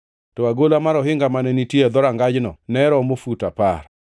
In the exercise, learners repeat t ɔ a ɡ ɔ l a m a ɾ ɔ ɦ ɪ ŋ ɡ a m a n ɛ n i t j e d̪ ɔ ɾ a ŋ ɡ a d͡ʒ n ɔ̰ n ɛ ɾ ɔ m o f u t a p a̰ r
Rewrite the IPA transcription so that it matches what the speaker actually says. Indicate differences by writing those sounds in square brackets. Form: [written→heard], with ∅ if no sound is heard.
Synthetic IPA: t ɔ a ɡ [ɔ→o] l a m a ɾ ɔ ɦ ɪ ŋ ɡ a m a n ɛ n i t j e d̪ ɔ ɾ a ŋ ɡ a d͡ʒ n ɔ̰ n ɛ ɾ ɔ m o f u t a p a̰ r